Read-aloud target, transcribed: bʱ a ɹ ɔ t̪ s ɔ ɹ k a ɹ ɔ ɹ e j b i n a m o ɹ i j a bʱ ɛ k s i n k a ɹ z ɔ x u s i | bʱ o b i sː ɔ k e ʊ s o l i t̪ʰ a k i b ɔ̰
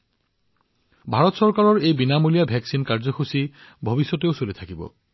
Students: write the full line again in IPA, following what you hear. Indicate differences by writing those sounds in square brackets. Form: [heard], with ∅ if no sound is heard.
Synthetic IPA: bʱ a ɹ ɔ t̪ s ɔ ɹ k a ɹ ɔ ɹ e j b i n a m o [l] i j a bʱ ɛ k s i n k a ɹ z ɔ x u s i | bʱ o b i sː ɔ [t] e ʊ s o l i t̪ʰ a k i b ɔ̰